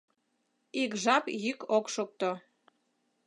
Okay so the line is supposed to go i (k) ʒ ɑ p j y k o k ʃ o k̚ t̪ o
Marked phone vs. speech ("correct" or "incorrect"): correct